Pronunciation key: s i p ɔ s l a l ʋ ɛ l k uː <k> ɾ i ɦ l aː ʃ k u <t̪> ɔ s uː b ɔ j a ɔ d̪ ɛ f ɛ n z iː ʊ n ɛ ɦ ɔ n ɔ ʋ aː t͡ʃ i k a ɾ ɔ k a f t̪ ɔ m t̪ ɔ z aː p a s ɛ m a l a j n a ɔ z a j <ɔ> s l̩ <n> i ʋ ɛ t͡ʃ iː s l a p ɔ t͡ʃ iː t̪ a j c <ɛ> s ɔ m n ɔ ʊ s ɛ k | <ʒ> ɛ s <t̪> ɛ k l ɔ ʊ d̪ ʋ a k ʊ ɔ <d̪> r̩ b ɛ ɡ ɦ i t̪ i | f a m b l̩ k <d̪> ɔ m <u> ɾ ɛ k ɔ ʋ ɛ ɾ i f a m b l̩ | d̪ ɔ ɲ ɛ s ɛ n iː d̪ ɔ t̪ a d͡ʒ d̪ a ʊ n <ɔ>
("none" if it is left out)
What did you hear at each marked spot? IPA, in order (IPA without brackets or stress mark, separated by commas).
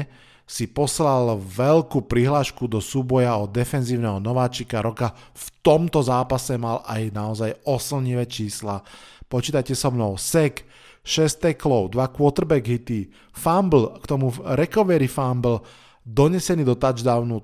p, d̪, ɔ, ɲ, ɛ, ʃ, t̪, t̪, t̪, u, u